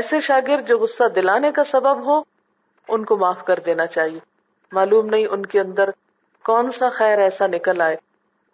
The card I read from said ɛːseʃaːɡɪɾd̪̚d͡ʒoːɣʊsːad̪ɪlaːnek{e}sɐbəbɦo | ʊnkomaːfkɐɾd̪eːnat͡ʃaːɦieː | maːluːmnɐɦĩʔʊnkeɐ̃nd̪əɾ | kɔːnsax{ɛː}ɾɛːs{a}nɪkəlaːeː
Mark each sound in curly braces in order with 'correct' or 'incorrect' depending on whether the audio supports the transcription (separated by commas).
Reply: incorrect, correct, correct